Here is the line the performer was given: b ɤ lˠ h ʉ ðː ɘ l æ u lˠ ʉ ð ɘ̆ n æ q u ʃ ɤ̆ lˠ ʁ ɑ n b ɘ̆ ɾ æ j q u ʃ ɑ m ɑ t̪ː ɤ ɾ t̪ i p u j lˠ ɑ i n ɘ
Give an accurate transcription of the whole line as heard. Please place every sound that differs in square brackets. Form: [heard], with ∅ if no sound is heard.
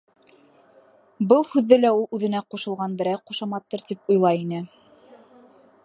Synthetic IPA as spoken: b ɤ lˠ h ʉ ðː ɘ l æ u lˠ ʉ ð ɘ̆ n æ q u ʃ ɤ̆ lˠ ʁ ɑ n b ɘ̆ ɾ æ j q u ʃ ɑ m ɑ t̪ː ɤ ɾ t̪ i p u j lˠ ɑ i n ɘ